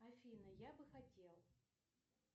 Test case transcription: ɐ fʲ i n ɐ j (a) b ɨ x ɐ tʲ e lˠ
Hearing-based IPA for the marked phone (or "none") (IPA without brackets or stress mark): a